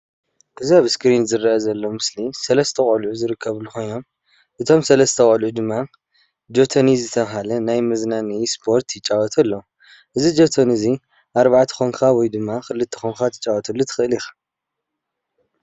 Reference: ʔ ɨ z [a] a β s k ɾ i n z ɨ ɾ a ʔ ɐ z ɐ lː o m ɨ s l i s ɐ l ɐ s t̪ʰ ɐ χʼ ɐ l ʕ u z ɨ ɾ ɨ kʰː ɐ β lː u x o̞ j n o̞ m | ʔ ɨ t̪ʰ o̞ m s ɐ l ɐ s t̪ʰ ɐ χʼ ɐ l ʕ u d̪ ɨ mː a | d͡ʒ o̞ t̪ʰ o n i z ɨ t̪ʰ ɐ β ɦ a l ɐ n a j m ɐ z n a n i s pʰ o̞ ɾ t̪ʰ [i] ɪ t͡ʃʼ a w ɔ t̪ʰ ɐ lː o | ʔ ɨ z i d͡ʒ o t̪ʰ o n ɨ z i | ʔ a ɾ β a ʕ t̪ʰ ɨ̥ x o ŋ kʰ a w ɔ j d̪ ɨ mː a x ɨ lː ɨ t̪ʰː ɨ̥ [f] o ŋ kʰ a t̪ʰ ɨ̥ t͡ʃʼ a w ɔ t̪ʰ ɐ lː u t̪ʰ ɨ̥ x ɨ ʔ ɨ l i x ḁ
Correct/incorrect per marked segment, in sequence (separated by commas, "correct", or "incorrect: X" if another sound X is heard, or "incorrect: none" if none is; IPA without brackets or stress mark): incorrect: i, incorrect: j, incorrect: x